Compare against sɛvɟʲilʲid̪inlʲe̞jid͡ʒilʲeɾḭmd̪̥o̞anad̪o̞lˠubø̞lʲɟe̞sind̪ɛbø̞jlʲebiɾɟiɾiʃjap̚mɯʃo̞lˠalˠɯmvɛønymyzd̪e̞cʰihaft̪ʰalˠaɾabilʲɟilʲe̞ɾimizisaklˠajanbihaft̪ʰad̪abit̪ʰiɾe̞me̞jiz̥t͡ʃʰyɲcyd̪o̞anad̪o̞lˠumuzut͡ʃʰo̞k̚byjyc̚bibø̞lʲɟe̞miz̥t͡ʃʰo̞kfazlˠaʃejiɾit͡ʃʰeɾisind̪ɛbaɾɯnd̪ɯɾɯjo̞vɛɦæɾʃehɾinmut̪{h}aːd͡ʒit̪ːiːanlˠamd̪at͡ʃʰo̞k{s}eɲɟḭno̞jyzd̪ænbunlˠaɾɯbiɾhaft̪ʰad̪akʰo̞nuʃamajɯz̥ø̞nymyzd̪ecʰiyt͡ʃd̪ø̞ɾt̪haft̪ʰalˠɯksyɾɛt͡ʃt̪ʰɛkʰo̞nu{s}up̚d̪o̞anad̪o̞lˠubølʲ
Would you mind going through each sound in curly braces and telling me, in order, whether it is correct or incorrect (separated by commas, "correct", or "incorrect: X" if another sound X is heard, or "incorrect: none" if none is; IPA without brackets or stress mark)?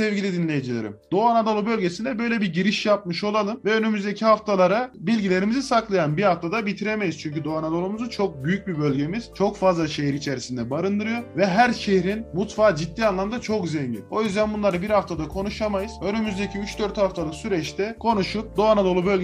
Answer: incorrect: f, incorrect: z, incorrect: ʃ